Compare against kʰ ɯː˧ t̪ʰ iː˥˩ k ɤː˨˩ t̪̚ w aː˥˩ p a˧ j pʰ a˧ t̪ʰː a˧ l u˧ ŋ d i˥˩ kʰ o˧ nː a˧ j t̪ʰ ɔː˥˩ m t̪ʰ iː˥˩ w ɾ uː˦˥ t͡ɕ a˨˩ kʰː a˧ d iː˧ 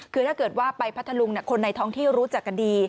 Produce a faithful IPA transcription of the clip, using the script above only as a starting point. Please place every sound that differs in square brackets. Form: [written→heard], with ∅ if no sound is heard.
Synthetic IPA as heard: kʰ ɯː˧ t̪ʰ [iː˥˩→aː˥˩] k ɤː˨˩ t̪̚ w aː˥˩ p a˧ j pʰ [a˧→a˦˥] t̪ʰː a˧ l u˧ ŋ [d→n] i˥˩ kʰ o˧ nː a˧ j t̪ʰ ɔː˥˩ [m→ŋ] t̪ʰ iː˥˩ w ɾ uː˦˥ t͡ɕ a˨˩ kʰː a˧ d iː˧